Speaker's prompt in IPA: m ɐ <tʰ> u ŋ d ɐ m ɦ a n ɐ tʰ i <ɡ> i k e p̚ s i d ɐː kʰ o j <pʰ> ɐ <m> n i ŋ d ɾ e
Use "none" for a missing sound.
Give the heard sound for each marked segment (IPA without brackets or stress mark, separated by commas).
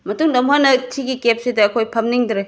t, ɡ, pʰ, m